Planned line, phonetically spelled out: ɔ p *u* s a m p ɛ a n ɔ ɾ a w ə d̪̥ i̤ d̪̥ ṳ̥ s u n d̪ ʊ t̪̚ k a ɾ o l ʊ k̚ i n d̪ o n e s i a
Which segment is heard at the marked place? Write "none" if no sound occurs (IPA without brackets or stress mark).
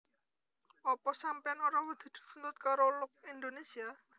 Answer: ɔ